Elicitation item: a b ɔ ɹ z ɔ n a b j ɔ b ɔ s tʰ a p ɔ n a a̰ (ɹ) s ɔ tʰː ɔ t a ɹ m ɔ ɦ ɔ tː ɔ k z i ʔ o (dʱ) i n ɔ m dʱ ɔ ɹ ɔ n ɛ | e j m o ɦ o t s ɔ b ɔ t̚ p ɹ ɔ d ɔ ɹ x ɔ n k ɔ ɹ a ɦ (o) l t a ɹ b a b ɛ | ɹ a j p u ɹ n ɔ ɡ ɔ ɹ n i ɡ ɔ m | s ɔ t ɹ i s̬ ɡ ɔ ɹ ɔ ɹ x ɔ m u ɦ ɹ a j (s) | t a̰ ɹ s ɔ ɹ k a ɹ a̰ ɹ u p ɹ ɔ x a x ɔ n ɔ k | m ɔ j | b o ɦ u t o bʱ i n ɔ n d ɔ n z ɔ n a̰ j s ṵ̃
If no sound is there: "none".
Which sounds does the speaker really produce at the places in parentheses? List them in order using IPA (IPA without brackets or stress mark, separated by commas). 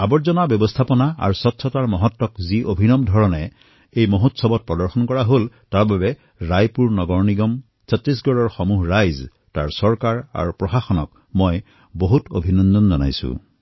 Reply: ɹ, bʱ, o, z